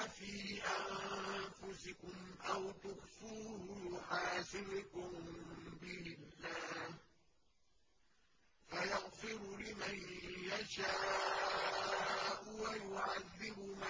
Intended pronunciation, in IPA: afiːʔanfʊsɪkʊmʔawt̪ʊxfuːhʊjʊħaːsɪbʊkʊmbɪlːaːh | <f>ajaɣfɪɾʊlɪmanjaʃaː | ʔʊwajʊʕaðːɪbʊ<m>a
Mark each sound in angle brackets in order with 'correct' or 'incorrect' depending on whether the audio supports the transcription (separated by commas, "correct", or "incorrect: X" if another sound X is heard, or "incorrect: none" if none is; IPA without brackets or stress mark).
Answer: correct, correct